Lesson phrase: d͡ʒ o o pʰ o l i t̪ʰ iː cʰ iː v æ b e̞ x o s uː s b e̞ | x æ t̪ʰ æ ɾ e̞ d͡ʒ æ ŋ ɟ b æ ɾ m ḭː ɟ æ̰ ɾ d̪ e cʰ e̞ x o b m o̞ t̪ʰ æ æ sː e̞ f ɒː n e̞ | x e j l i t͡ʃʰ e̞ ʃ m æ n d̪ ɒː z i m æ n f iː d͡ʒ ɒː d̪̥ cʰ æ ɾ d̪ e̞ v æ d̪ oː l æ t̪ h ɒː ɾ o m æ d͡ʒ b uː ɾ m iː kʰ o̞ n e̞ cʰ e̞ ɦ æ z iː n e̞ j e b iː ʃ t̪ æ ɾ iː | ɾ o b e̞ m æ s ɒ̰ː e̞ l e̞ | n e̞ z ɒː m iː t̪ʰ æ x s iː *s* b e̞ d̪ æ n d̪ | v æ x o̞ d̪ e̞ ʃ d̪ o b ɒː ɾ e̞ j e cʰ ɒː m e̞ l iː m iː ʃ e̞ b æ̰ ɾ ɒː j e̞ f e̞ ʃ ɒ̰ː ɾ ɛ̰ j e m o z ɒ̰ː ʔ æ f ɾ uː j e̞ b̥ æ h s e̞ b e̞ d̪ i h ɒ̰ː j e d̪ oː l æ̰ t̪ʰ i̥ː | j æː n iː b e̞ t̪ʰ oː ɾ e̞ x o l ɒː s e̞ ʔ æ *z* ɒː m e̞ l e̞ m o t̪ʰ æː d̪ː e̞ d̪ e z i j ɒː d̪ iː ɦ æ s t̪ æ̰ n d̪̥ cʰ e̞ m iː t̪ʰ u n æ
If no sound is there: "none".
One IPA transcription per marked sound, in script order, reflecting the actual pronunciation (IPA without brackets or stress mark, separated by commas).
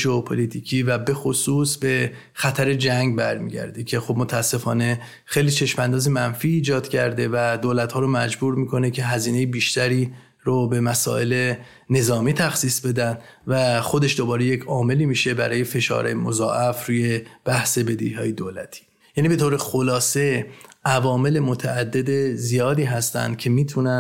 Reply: s, v